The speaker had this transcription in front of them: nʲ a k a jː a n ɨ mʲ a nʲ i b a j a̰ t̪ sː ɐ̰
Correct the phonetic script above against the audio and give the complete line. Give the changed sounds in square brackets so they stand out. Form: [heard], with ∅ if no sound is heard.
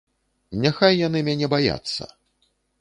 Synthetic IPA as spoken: nʲ a [x] a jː a n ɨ mʲ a nʲ [ɛ] b a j a̰ t̪ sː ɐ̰